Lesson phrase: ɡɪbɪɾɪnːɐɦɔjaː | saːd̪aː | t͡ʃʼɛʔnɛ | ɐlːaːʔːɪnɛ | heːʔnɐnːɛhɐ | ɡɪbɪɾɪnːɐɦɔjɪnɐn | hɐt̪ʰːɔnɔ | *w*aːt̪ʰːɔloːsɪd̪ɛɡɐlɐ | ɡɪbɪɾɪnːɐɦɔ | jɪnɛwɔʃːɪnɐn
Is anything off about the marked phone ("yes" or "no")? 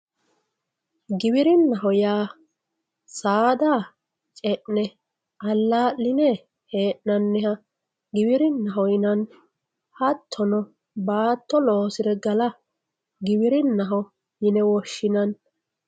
yes